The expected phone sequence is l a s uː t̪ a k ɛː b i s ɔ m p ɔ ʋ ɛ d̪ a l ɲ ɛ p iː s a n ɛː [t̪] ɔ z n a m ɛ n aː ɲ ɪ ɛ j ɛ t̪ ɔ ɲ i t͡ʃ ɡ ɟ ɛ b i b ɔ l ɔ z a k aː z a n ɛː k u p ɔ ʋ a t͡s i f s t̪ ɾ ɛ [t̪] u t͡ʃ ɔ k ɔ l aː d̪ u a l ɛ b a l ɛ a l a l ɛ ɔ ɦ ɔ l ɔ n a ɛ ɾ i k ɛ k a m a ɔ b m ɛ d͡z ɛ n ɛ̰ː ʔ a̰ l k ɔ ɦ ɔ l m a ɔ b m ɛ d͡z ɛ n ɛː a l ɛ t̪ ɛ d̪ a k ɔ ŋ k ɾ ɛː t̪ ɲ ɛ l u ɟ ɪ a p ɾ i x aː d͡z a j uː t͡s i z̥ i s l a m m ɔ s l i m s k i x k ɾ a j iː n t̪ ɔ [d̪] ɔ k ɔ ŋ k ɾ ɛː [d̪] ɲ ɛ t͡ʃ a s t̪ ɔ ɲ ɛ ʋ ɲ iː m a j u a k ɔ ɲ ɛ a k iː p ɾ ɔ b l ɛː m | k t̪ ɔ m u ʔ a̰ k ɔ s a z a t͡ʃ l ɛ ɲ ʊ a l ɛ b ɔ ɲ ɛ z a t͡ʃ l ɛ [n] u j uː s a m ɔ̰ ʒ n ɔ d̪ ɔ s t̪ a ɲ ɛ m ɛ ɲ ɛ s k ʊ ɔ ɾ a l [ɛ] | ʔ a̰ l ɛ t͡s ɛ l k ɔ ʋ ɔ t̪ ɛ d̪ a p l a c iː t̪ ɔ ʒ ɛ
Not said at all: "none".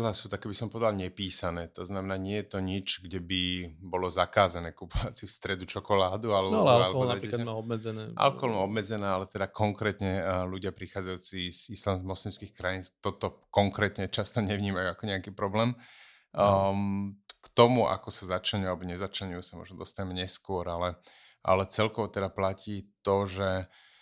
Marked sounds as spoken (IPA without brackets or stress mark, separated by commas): t̪, d̪, t̪, t̪, ɲ, ɛ